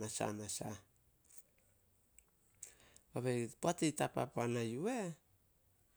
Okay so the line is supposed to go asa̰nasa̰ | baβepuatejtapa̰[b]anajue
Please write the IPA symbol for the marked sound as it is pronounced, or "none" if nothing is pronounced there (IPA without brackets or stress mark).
p